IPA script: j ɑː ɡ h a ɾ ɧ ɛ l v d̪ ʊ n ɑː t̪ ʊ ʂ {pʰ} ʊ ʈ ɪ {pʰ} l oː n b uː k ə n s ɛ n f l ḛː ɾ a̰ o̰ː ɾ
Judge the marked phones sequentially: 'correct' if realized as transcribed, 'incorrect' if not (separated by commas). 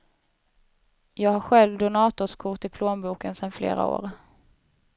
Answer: incorrect, correct